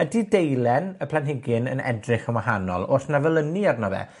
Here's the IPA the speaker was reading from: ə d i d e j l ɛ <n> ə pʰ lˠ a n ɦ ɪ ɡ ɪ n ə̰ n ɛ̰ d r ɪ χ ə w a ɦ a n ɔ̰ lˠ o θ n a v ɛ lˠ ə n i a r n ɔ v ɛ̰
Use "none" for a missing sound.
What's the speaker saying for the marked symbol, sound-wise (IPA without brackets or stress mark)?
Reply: n